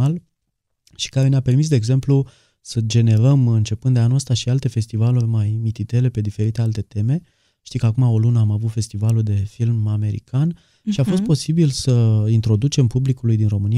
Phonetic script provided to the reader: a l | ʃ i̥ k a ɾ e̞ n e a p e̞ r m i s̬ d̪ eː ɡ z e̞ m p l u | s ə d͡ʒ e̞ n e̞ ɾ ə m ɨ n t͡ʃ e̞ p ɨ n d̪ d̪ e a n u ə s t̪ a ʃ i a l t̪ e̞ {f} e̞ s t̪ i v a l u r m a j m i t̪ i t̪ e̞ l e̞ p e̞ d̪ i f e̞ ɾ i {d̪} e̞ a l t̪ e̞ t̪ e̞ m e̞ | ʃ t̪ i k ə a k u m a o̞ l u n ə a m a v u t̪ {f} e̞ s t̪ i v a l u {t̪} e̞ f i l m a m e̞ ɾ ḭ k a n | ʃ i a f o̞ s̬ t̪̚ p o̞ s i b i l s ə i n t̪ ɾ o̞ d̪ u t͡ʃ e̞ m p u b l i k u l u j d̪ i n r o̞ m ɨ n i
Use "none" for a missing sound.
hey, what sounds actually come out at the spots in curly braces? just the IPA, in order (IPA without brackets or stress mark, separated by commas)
f, t̪, f, d̪